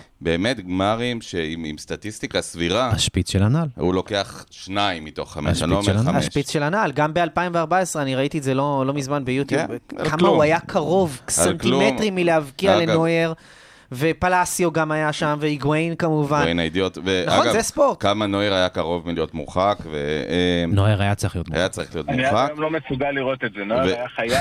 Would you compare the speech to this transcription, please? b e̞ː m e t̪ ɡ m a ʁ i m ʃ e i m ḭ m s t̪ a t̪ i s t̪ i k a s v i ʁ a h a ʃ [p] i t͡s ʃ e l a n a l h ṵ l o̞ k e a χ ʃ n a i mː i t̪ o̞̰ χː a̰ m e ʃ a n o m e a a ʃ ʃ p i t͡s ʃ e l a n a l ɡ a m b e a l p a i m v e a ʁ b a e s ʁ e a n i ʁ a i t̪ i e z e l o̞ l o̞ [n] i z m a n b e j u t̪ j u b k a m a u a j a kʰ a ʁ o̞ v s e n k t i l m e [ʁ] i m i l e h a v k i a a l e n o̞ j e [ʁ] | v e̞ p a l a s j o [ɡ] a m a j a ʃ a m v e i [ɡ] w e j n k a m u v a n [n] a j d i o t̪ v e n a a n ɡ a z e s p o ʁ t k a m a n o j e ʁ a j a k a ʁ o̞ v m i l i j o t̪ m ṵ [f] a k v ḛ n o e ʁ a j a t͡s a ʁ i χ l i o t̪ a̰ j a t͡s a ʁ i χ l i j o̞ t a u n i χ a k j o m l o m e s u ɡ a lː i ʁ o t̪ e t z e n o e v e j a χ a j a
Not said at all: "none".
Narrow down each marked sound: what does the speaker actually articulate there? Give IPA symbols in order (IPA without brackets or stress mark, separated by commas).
p, m, ʁ, ʁ, ɡ, ɡ, n, χ